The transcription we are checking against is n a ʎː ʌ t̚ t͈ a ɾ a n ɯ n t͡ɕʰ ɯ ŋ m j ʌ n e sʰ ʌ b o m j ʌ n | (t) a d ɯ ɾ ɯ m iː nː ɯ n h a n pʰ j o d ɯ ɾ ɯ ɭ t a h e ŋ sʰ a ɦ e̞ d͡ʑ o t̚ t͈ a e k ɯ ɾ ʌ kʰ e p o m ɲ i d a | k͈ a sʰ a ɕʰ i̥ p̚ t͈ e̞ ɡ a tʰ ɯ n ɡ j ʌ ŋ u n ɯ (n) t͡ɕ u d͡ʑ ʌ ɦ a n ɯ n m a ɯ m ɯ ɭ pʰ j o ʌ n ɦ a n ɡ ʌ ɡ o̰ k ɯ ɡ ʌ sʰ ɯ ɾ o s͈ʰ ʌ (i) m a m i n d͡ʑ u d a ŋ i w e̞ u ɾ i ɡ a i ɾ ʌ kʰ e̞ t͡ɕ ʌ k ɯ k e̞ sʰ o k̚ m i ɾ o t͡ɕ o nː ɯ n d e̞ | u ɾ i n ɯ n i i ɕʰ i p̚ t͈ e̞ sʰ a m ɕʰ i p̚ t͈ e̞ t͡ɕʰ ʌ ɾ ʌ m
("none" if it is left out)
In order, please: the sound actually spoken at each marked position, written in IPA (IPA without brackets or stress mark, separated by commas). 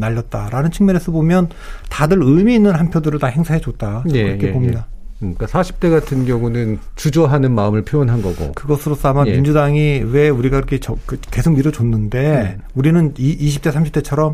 t, n, a